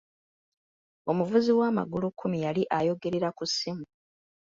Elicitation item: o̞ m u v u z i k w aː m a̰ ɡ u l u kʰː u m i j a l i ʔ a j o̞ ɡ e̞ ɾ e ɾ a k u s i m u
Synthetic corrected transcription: o̞ m u v u z i w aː m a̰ ɡ u l u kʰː u m i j a l i ʔ a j o̞ ɡ e̞ ɾ e ɾ a k u s i m u